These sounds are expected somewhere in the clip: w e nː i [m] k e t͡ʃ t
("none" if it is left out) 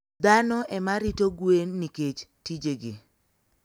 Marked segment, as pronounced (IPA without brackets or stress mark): none